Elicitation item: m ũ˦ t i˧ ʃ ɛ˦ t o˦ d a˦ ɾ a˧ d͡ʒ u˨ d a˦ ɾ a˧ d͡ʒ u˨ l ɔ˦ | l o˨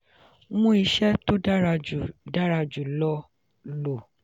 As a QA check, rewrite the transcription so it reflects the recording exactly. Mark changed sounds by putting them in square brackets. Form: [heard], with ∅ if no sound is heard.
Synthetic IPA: m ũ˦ [∅] i˧ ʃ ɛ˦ t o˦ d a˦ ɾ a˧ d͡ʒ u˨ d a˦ ɾ a˧ d͡ʒ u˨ l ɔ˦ | l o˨